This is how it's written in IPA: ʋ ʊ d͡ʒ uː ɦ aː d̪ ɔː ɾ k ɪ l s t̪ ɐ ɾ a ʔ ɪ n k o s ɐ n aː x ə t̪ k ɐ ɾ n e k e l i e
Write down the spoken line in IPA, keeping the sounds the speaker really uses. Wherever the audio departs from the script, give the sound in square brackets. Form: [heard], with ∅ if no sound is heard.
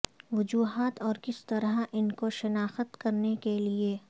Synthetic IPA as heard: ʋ ʊ d͡ʒ uː ɦ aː [t̪] ɔː ɾ k ɪ [∅] s t̪ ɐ ɾ a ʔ ɪ n k o [ʃ] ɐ n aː x ə t̪ k ɐ ɾ n e k e l i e

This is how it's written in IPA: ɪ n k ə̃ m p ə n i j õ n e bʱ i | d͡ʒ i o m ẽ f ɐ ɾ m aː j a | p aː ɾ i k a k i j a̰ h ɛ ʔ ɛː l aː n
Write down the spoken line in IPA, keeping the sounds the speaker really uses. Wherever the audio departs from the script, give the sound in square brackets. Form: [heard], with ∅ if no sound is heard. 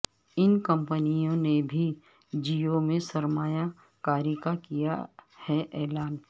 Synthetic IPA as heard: ɪ n k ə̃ m p ə n i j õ n e bʱ i | d͡ʒ i o m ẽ [s] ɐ ɾ m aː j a | [k] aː ɾ i k a k i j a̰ h ɛ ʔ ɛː l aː n

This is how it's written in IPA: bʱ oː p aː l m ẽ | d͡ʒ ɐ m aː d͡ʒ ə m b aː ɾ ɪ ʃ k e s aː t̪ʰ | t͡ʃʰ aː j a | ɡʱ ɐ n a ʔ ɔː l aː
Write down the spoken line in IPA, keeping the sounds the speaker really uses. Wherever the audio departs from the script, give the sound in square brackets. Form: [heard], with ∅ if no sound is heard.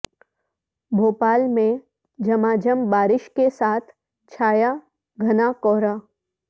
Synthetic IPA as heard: bʱ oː p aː l m ẽ | d͡ʒ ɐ m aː d͡ʒ ə m b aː ɾ ɪ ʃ k e s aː t̪ʰ | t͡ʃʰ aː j a | ɡʱ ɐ n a [k] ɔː [ɾ] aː

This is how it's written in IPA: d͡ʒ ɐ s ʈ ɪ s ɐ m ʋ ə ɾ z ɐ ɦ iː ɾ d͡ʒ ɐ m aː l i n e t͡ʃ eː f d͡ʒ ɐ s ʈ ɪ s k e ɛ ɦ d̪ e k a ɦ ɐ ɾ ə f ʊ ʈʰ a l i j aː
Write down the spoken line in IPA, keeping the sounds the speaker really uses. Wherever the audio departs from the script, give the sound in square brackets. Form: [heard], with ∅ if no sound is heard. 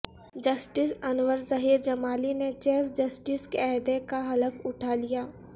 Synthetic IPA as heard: d͡ʒ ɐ s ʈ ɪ s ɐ [n] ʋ ə ɾ z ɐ ɦ iː ɾ d͡ʒ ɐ m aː l i n e t͡ʃ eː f d͡ʒ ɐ s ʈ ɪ s k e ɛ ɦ d̪ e k a ɦ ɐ [l] ə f ʊ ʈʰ a l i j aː

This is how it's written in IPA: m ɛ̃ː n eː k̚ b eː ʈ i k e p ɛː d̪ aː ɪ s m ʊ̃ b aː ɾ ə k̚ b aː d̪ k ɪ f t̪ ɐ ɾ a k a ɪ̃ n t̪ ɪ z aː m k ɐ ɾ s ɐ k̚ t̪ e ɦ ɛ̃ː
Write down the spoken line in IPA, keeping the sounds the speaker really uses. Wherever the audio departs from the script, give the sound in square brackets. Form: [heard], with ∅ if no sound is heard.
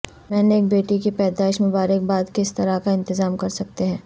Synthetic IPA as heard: m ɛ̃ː n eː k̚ b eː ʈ i k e p ɛː d̪ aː ɪ [ʃ] m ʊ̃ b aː ɾ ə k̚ b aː d̪ k ɪ [s] t̪ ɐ ɾ a k a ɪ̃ n t̪ ɪ z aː m k ɐ ɾ s ɐ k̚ t̪ e ɦ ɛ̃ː

